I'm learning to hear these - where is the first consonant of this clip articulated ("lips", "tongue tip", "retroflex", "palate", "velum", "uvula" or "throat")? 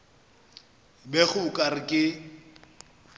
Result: lips